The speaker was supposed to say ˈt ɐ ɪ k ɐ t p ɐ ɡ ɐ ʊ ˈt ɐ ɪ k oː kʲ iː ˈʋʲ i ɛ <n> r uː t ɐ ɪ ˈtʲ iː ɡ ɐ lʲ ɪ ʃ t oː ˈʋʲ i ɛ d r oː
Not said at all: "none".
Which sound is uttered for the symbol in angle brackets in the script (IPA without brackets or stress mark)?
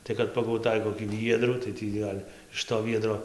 d